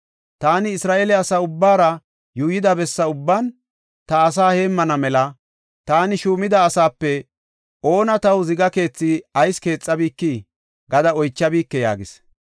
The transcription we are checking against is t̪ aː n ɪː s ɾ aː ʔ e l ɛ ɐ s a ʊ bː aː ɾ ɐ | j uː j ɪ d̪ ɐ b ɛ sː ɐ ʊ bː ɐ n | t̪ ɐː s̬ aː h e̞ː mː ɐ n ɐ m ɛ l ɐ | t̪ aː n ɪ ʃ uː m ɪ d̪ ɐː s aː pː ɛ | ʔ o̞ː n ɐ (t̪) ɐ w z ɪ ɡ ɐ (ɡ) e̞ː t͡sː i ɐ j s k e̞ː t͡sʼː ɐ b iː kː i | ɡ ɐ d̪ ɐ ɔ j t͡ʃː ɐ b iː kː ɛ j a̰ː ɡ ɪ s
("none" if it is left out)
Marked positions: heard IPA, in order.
t̪, k

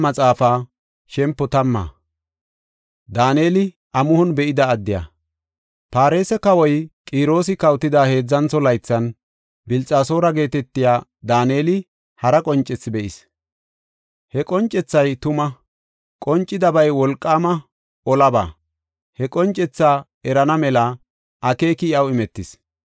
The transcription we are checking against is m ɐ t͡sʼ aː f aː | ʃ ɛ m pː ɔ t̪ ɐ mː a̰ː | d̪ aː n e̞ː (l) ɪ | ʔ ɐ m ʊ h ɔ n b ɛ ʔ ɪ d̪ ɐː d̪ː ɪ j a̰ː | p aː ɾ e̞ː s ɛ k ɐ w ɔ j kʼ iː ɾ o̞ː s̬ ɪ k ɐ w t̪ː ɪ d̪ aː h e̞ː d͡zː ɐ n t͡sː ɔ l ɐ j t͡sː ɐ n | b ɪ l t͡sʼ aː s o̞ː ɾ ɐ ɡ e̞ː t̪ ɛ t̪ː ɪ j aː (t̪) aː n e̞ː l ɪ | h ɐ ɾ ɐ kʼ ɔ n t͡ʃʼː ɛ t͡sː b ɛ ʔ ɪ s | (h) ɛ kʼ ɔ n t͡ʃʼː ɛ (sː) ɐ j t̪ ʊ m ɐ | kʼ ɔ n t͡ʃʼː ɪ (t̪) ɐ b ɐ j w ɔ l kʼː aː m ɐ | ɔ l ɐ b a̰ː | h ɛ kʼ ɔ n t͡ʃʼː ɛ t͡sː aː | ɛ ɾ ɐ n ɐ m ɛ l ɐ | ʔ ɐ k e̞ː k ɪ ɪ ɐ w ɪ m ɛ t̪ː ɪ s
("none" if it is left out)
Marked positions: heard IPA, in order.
l, d̪, h, t͡sː, d̪

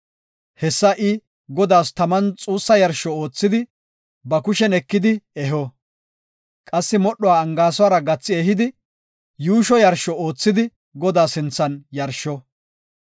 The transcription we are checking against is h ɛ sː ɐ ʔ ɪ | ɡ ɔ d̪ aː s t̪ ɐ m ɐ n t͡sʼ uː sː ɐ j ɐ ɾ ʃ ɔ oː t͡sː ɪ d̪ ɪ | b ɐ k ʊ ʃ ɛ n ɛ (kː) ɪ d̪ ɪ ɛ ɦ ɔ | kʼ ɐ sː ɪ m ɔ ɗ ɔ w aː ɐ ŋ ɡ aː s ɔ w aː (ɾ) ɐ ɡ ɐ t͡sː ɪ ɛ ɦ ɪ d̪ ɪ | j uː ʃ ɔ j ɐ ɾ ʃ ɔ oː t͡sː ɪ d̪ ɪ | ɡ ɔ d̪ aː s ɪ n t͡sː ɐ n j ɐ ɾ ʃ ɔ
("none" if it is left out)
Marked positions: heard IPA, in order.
kː, ɾ

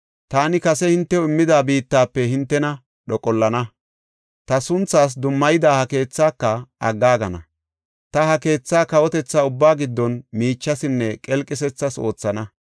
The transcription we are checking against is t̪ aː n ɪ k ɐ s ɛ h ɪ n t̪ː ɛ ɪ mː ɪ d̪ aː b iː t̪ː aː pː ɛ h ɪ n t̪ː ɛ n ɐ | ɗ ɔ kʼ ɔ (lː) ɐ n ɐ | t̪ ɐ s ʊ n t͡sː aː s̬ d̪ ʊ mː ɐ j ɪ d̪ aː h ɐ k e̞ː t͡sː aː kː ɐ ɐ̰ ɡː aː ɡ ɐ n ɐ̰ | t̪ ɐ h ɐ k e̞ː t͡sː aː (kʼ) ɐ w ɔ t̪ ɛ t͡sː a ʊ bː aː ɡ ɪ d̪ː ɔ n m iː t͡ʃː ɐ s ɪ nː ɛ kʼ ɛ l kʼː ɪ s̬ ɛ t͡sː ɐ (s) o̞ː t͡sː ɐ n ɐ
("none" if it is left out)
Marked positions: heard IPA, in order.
lː, k, s

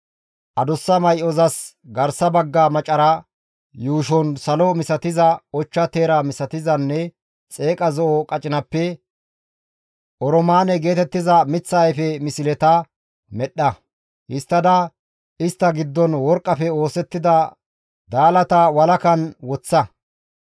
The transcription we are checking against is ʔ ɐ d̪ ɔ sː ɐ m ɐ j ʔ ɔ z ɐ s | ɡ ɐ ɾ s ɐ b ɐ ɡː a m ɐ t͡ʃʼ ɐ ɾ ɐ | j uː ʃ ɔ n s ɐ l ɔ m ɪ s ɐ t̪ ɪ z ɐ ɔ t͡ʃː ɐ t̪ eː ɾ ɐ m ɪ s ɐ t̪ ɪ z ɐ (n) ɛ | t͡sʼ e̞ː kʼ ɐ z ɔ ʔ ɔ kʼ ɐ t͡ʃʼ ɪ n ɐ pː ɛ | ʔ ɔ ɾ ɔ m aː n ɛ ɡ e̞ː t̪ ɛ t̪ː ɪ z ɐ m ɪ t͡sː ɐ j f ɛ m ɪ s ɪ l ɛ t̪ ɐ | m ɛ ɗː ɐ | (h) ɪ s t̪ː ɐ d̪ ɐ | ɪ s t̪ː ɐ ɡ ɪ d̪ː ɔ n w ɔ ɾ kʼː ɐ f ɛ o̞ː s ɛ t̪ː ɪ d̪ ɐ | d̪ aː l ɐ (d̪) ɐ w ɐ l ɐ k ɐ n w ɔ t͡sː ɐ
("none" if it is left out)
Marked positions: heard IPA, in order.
nː, h, t̪

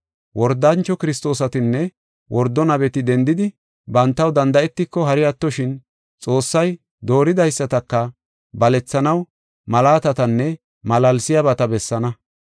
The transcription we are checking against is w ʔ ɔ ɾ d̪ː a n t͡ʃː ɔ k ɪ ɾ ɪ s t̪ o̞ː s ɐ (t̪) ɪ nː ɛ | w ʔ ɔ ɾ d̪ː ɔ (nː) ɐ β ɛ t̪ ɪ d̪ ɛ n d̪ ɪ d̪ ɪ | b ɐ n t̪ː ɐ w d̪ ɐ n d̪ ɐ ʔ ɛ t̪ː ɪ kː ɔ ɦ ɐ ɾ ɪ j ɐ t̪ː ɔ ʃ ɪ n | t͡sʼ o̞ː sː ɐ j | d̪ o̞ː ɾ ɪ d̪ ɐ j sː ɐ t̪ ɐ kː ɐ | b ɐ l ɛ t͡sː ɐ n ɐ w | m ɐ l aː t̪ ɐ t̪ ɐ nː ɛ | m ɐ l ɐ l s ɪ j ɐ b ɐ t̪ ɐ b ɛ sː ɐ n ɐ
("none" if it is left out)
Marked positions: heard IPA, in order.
t̪, n

